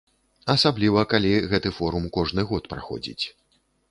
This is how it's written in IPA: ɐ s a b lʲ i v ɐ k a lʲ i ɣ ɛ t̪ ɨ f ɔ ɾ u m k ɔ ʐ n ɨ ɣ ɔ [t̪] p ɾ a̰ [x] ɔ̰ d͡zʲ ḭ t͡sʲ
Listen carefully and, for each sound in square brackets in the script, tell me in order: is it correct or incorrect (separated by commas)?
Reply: correct, correct